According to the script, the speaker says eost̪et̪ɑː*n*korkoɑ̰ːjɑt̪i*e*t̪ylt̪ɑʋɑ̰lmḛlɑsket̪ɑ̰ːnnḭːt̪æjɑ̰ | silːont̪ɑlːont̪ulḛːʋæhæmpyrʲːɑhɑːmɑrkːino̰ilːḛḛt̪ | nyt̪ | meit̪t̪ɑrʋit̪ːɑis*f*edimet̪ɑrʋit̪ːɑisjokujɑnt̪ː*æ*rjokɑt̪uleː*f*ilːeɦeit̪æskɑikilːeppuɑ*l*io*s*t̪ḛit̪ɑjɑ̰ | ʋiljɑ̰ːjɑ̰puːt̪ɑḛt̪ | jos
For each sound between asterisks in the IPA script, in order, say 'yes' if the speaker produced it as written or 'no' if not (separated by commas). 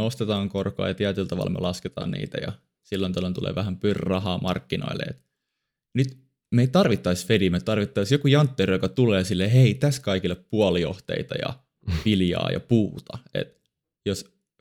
no, no, yes, no, no, yes, no